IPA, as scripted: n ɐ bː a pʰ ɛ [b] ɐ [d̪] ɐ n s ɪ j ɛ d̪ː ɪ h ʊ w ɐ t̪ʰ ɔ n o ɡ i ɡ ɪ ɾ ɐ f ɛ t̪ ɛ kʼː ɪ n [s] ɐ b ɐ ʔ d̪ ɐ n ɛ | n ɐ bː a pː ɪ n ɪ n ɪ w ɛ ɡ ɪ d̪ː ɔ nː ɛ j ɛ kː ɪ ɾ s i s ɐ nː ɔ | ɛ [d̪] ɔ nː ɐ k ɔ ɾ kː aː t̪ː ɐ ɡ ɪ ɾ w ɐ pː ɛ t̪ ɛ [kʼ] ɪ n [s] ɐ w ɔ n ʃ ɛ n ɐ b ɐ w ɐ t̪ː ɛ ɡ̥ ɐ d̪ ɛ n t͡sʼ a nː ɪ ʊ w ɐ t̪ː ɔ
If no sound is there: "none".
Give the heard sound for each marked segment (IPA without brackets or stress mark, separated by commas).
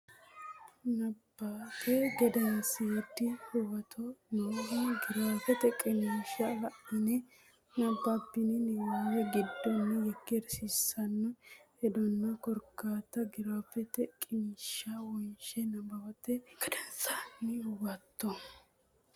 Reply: ɡ, d̪, ʃ, d̪, kʼ, ʃ